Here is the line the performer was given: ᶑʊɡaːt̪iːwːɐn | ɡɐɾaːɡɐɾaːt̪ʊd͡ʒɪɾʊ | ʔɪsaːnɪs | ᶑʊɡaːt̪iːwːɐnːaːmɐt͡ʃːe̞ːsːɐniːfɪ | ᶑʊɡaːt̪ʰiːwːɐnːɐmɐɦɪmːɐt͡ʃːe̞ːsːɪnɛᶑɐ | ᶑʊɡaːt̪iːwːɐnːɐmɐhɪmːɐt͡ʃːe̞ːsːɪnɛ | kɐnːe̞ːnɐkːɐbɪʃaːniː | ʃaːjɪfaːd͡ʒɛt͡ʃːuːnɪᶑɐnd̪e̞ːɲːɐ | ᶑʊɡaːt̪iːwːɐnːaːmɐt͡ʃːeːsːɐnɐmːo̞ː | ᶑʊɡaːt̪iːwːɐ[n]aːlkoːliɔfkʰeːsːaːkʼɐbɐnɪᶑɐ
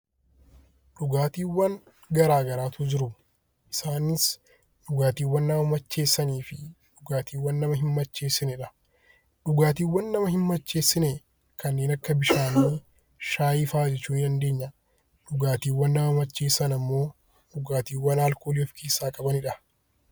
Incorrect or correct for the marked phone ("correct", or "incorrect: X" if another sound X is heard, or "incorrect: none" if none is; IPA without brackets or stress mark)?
correct